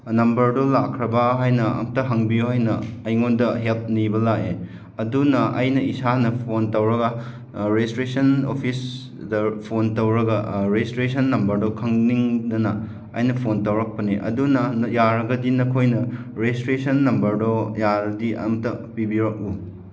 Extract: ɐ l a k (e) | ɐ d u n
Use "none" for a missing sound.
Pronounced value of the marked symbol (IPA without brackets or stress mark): e